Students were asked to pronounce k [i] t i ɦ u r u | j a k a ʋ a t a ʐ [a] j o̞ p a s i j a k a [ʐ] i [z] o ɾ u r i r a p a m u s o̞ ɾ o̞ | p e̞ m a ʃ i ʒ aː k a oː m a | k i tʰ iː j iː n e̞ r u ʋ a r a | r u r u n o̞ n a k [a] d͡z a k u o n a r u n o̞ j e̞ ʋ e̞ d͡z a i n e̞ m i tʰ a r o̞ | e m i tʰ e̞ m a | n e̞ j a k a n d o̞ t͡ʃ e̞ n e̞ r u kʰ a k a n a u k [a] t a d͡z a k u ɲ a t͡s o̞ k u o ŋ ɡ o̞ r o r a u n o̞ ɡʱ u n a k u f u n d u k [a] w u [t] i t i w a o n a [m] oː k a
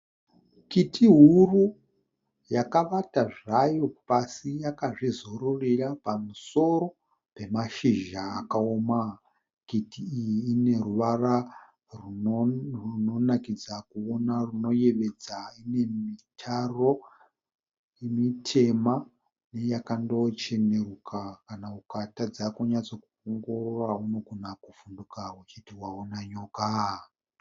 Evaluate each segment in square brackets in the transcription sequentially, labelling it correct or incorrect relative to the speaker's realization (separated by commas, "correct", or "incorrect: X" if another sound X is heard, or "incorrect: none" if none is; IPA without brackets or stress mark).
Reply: correct, correct, correct, correct, incorrect: i, correct, correct, incorrect: t͡ʃ, incorrect: ɲ